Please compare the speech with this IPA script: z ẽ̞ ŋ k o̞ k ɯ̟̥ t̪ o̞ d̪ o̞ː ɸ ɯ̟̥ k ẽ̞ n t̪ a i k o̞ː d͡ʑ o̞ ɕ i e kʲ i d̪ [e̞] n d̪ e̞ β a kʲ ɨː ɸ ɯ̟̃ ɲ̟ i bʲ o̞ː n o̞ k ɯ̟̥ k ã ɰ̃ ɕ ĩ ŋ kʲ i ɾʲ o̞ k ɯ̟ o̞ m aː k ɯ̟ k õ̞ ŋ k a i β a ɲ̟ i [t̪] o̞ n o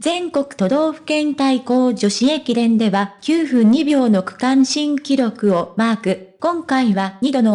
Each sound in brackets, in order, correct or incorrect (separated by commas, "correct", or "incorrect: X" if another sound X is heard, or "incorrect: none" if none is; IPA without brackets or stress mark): incorrect: ẽ̞, incorrect: d̪